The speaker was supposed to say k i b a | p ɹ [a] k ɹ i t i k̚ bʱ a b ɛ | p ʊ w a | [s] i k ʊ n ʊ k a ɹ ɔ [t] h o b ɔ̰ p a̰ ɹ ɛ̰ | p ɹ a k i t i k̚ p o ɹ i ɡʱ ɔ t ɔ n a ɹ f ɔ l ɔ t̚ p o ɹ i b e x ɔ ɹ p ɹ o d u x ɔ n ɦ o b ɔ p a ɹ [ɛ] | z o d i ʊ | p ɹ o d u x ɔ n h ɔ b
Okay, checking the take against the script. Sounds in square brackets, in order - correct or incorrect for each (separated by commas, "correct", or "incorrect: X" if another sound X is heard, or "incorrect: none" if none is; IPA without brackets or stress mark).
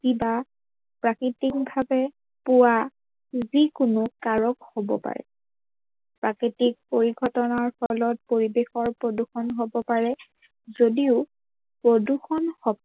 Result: correct, incorrect: z, incorrect: k, correct